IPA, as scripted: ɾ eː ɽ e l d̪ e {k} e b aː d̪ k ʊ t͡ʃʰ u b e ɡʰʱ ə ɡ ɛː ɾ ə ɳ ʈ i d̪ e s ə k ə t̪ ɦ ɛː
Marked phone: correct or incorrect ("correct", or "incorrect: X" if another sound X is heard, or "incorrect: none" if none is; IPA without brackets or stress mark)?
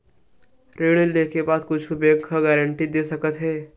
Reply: correct